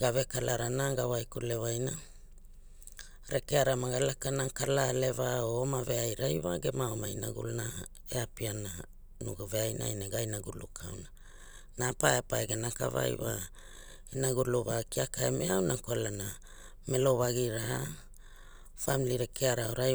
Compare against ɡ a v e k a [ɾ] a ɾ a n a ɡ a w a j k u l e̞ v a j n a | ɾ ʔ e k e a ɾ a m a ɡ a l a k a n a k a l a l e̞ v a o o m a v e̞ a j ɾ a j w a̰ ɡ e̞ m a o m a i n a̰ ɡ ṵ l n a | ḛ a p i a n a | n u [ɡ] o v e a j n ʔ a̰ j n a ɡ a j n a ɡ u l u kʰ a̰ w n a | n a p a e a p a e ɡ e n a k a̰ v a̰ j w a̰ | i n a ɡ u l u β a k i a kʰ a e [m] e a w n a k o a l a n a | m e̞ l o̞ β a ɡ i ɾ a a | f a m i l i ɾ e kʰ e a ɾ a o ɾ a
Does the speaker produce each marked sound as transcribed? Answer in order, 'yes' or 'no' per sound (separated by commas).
no, yes, yes